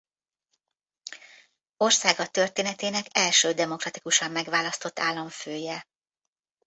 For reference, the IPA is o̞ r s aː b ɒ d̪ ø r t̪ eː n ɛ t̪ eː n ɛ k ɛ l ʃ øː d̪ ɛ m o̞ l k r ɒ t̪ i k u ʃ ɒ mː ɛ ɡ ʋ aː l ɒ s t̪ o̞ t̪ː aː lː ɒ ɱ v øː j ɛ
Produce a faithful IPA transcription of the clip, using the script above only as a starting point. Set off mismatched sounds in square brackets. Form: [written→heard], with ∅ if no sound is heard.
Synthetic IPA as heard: o̞ r s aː [b→ɡ] ɒ [d̪→t̪] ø r t̪ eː n ɛ t̪ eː n ɛ k ɛ l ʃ øː d̪ ɛ m o̞ [l→∅] k r ɒ t̪ i k u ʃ ɒ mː ɛ ɡ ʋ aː l ɒ s t̪ o̞ t̪ː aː lː ɒ ɱ [v→f] øː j ɛ